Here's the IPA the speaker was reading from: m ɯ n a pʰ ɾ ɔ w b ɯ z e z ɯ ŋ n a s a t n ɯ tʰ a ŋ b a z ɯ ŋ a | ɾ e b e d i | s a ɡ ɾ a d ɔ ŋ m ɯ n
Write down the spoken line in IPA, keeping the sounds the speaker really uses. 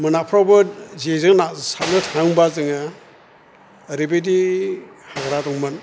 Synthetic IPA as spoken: m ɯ n a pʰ ɾ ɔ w b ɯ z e z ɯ ŋ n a s a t n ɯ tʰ a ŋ b a z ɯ ŋ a | ɾ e b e d i | h a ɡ ɾ a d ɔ ŋ m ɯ n